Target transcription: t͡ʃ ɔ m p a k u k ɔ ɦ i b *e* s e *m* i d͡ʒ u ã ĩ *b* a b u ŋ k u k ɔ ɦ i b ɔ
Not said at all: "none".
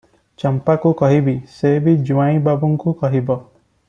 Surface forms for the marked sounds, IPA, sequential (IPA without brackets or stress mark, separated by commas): i, b, b